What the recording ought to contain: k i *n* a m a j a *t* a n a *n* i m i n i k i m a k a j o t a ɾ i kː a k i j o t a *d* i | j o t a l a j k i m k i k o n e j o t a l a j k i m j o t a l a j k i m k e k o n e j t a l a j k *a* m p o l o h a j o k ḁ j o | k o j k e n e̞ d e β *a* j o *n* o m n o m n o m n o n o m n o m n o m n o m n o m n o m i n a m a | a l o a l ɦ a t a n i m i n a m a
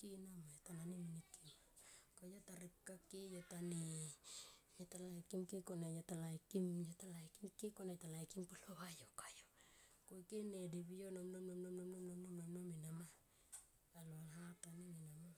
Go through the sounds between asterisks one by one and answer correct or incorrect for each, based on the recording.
correct, correct, correct, incorrect, incorrect, incorrect, correct

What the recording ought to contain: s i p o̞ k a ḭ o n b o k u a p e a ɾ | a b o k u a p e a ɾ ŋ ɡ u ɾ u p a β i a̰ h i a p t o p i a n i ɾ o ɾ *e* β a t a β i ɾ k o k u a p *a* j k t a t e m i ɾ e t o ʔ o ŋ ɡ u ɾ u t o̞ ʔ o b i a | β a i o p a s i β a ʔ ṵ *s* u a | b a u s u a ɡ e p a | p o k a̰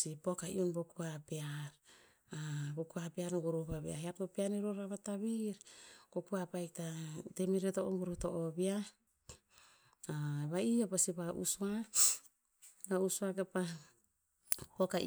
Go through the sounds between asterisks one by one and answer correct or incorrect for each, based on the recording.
incorrect, correct, correct

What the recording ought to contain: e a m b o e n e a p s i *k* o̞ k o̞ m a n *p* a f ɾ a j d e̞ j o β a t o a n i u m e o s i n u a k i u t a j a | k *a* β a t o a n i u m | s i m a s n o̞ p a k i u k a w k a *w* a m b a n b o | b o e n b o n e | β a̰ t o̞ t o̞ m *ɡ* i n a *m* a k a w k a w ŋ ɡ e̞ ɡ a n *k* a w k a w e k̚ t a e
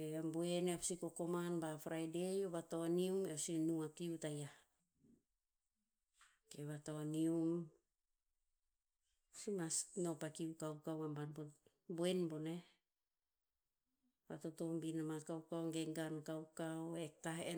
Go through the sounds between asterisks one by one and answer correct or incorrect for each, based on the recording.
correct, incorrect, incorrect, correct, incorrect, correct, correct

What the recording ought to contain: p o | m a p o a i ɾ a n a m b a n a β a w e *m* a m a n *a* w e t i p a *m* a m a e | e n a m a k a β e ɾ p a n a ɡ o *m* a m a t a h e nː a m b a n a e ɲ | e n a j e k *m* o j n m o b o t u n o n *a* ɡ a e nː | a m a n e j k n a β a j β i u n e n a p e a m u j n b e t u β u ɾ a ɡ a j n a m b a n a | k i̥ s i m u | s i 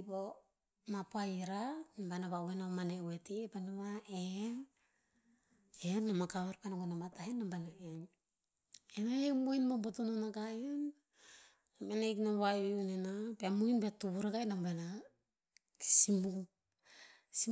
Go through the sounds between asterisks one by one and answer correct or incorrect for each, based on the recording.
incorrect, incorrect, incorrect, incorrect, correct, correct

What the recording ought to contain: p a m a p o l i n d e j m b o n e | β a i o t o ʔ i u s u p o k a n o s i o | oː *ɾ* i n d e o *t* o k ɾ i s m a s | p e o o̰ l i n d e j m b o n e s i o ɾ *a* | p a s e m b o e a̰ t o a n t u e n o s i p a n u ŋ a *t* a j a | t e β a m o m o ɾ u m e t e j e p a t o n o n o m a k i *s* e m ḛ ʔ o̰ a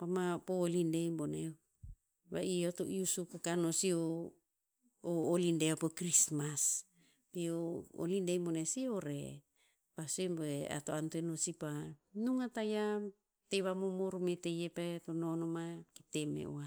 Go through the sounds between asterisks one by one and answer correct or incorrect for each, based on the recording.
incorrect, incorrect, incorrect, correct, incorrect

